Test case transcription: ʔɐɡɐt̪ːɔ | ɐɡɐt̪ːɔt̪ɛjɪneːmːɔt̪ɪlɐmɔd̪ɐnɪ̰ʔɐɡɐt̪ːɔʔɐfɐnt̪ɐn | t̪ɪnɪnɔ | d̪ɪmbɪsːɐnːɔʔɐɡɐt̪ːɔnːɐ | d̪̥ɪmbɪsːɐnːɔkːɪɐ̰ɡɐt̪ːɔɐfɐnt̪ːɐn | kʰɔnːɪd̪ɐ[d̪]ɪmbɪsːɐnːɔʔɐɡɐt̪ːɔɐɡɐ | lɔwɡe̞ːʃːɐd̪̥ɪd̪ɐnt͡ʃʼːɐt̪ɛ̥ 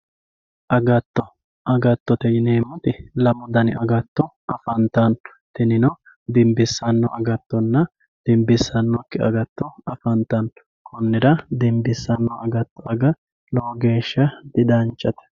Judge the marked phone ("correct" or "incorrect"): correct